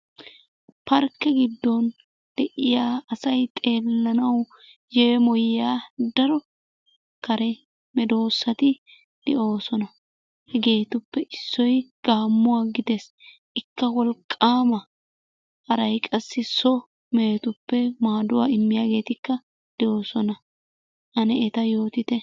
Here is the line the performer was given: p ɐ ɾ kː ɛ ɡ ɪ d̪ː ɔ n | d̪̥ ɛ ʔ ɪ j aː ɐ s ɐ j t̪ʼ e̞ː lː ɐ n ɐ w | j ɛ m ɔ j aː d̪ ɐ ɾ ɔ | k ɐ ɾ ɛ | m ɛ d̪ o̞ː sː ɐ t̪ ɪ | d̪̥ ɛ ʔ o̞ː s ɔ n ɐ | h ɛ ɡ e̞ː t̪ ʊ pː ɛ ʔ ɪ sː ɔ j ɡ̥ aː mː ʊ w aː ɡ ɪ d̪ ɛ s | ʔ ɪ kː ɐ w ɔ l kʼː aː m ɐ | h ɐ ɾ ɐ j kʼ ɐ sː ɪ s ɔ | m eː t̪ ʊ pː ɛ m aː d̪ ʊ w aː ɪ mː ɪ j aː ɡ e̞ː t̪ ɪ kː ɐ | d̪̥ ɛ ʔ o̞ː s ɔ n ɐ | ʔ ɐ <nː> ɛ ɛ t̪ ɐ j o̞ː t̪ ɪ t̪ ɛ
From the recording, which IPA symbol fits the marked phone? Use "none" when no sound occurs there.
n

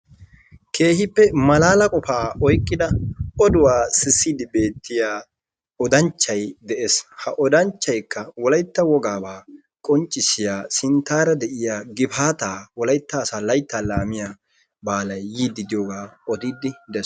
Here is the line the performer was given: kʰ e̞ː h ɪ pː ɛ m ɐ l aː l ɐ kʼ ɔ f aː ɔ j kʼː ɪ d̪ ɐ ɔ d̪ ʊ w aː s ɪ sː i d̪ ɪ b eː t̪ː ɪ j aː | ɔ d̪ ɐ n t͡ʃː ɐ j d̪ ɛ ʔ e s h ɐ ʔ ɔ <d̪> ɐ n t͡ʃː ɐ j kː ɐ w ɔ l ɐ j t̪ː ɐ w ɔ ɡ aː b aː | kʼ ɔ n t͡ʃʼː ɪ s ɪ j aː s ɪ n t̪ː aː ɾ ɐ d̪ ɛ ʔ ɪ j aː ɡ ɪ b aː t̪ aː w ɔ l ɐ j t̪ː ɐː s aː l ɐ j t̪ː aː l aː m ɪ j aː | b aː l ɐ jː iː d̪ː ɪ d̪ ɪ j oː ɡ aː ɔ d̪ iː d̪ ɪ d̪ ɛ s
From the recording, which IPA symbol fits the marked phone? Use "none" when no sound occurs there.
d̪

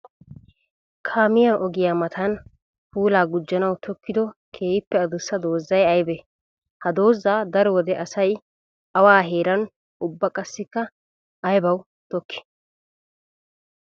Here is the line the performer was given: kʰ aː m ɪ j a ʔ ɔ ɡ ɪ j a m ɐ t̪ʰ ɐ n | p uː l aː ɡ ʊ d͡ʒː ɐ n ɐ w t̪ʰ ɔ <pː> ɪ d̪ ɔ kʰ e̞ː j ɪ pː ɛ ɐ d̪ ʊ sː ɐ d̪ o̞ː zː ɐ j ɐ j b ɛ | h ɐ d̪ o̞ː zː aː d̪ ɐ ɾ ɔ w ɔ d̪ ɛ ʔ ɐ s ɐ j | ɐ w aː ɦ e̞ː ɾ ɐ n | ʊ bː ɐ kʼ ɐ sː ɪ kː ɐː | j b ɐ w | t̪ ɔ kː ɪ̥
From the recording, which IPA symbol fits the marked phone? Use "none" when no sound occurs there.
kː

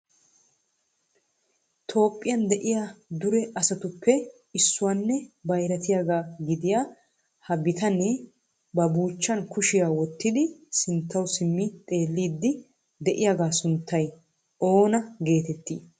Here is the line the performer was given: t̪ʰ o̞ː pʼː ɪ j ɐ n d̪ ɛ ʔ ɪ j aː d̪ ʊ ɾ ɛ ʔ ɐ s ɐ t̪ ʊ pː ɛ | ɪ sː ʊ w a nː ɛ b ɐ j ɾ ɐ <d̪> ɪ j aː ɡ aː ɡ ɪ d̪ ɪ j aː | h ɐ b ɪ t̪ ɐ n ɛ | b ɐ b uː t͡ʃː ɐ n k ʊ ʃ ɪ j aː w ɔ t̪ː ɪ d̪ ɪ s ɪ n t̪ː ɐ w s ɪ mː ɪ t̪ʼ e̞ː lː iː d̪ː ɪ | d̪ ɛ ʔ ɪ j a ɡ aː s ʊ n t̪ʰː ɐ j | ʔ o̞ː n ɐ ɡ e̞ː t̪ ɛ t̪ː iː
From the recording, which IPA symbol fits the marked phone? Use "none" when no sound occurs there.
t̪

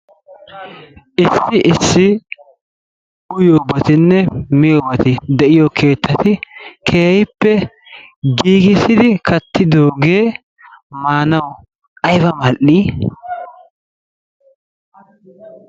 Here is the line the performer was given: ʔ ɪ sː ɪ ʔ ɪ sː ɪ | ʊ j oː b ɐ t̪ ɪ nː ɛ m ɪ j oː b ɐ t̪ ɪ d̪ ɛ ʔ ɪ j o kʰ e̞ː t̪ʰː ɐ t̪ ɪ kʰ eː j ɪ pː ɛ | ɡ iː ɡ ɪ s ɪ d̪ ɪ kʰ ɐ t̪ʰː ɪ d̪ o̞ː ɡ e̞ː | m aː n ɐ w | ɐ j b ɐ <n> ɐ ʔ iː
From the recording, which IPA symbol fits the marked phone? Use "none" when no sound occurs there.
m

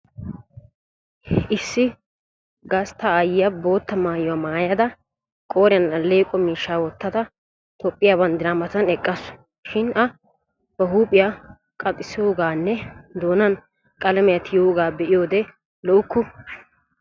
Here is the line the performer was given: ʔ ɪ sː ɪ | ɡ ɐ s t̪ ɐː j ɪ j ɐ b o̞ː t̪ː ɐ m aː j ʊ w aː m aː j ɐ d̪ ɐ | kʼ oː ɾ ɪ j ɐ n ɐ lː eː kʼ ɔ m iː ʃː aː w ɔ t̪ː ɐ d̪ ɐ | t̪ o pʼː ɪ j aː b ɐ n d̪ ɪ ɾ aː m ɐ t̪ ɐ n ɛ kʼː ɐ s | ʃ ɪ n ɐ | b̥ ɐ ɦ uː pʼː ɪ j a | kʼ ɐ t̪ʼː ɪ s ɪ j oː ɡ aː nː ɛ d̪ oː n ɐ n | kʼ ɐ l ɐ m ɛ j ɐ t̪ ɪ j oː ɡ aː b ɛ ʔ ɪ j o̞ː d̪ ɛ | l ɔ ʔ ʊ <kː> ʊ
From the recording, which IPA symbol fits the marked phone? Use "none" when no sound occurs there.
kː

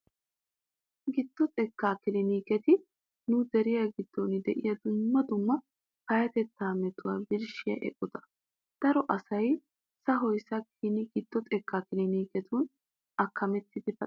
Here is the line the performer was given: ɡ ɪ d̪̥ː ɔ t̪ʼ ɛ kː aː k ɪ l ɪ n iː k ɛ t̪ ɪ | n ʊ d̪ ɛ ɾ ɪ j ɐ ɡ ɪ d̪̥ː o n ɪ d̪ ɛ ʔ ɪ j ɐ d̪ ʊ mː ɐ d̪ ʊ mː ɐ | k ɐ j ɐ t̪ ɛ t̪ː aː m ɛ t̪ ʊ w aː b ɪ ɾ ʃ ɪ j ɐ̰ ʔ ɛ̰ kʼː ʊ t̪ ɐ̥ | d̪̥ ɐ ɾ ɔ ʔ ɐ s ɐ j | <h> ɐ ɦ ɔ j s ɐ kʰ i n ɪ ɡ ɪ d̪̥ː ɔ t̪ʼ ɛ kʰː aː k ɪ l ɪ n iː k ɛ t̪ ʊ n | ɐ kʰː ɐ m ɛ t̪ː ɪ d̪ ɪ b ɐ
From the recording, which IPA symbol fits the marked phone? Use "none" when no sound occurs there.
s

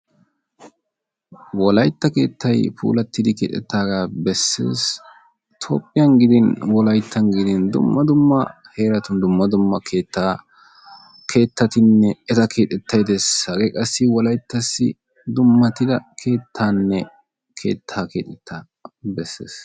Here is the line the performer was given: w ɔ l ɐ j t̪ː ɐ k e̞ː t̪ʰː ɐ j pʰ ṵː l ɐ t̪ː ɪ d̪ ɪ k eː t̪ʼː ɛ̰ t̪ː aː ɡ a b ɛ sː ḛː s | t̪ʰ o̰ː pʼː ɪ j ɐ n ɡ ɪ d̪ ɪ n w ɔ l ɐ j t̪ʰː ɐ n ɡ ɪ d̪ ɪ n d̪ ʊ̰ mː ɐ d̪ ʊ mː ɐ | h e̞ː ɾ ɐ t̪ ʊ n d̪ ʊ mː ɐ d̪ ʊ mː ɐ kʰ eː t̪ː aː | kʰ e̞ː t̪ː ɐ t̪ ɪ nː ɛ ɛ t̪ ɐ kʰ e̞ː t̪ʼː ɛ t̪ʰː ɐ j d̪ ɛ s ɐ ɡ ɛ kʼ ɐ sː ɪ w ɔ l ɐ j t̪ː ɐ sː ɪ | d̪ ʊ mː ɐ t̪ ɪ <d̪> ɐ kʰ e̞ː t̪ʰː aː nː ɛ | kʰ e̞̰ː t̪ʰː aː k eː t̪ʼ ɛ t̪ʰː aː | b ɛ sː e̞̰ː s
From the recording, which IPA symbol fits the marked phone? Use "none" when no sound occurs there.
d̪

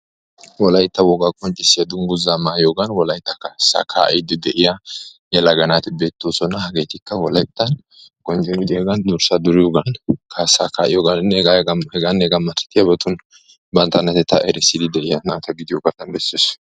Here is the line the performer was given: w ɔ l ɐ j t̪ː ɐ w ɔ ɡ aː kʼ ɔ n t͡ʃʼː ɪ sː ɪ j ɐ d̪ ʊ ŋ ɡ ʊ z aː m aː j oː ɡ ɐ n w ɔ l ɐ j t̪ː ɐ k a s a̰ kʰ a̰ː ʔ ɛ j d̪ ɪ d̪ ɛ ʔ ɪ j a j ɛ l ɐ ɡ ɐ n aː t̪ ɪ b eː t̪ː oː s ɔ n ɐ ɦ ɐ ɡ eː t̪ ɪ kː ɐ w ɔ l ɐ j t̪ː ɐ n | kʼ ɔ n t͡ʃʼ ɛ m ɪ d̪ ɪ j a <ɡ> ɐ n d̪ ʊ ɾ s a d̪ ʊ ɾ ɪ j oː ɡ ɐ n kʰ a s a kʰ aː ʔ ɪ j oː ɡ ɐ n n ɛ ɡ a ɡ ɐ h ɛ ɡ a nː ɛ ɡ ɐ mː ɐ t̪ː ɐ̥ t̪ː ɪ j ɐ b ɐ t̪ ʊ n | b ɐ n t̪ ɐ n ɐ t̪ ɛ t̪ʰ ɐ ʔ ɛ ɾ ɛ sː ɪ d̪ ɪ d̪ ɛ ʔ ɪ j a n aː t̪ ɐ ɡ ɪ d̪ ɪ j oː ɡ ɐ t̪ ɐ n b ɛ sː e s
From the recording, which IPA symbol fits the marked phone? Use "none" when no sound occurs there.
ɡ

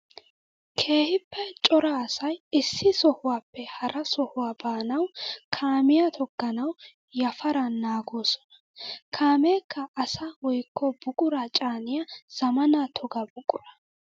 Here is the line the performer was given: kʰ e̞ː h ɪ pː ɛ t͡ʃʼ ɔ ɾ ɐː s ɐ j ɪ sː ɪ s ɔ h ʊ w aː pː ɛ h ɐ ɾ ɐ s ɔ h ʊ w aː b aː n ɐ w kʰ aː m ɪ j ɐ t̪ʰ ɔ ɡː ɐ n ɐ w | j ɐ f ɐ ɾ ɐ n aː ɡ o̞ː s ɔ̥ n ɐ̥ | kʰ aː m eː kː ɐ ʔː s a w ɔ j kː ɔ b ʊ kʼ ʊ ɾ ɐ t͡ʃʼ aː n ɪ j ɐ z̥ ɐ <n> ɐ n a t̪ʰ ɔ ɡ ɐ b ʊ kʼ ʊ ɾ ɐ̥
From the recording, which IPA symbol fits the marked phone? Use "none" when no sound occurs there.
m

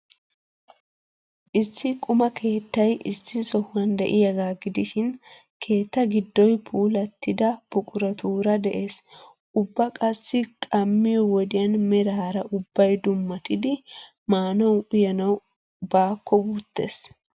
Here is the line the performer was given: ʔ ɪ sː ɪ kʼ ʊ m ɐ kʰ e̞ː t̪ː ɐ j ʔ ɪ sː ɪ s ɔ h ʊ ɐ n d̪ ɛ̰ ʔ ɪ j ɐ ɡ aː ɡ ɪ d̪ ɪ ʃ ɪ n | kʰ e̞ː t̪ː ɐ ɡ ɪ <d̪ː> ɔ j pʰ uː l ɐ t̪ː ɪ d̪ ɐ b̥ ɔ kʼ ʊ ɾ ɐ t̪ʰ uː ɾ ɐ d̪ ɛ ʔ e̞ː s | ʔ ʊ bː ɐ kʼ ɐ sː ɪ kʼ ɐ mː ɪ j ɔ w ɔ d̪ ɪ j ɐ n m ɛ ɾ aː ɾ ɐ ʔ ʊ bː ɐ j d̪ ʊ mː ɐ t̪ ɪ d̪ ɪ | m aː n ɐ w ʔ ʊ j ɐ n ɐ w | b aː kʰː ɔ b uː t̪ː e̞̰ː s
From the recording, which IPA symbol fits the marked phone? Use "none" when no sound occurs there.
d̪ː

